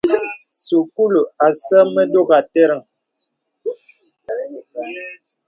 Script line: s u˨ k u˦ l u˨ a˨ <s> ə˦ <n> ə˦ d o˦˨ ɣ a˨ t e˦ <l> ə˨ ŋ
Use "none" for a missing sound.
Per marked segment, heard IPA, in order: s, m, ɾ

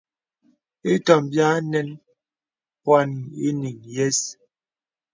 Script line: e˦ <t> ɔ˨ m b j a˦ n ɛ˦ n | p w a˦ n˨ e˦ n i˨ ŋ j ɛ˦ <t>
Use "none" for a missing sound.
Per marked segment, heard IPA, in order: t, s

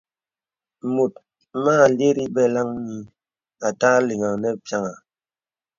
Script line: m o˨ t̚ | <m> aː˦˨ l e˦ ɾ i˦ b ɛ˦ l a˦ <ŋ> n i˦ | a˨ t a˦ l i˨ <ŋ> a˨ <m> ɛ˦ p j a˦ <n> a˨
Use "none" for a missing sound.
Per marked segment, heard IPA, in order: m, ŋ, ŋ, n, ŋ

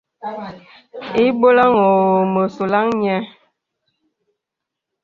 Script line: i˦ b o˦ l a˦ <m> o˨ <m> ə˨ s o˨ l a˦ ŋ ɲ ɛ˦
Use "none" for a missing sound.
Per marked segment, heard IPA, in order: ŋ, m

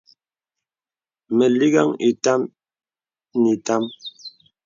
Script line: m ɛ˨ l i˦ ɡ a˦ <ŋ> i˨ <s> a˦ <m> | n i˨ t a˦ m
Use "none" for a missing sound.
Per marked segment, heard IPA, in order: ŋ, t, m

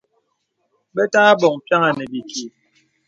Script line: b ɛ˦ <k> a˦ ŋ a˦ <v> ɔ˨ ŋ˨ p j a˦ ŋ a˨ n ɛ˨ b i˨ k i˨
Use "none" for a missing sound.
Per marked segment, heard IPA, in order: t, b

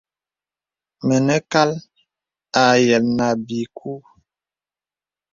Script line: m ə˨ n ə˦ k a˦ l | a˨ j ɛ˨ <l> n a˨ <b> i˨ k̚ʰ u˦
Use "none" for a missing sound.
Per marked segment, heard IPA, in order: l, b

